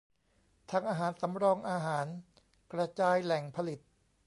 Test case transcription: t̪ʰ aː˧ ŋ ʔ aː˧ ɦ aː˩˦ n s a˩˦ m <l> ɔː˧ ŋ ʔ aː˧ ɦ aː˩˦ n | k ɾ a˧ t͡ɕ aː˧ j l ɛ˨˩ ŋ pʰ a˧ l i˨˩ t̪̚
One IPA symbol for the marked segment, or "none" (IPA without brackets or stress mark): ɾ